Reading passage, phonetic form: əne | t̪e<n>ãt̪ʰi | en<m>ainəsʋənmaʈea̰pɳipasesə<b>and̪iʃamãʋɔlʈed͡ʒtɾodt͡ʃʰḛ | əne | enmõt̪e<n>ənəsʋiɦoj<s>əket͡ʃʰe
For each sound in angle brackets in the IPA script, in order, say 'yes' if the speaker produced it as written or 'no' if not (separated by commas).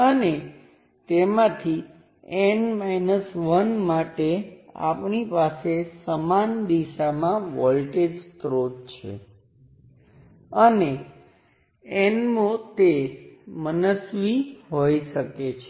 no, yes, no, no, no